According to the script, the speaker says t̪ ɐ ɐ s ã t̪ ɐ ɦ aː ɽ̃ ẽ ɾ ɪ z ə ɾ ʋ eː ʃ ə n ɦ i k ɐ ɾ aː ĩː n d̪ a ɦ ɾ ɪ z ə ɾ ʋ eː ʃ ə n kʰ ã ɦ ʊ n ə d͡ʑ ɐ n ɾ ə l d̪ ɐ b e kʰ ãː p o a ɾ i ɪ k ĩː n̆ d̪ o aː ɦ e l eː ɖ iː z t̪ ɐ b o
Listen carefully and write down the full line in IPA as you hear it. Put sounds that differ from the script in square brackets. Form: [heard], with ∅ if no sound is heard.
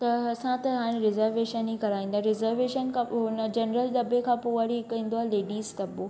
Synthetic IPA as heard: t̪ ɐ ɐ s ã t̪ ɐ ɦ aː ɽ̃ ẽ ɾ ɪ z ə ɾ ʋ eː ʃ ə n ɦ i k ɐ ɾ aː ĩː n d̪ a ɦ ɾ ɪ z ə ɾ ʋ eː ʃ ə n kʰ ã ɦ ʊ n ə d͡ʑ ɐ n ɾ ə l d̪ ɐ b e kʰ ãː p o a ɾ i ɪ k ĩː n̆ d̪ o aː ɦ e l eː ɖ iː z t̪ ɐ b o